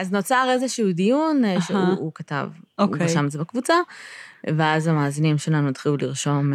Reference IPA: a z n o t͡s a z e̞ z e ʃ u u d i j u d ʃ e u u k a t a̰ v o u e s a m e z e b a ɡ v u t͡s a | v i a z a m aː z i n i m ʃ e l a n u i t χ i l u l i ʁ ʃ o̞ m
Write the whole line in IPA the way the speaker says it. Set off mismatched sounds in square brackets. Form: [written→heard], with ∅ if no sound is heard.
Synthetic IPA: a z n o t͡s a [z→ʁ] e̞ z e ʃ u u d i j u [d→n] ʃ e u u k a t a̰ v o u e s a m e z e b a [ɡ→k] v u t͡s a | v [i→e] a z a m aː z i n i m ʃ e l a n u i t χ i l u l i ʁ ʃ o̞ m